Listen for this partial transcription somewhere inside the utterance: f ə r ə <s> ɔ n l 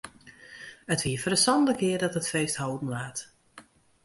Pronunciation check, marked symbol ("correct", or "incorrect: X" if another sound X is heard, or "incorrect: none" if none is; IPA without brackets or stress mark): correct